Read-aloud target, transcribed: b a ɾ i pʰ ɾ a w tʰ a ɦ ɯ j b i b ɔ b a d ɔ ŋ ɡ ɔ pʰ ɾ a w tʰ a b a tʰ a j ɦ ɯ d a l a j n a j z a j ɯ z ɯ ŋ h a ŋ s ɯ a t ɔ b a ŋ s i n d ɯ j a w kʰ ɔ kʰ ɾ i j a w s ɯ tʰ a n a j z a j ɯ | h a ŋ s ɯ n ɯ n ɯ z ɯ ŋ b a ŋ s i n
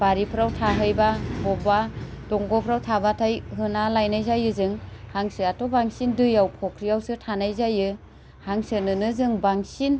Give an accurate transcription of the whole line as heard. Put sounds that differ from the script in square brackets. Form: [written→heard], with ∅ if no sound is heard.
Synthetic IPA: b a ɾ i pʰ ɾ a w tʰ a ɦ ɯ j b [i→a] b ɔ b a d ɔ ŋ ɡ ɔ pʰ ɾ a w tʰ a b a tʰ a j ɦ ɯ [d→n] a l a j n a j z a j ɯ z ɯ ŋ h a ŋ s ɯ a t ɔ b a ŋ s i n d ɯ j a w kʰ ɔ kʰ ɾ i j a w s ɯ tʰ a n a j z a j ɯ | h a ŋ s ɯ n ɯ n ɯ z ɯ ŋ b a ŋ s i n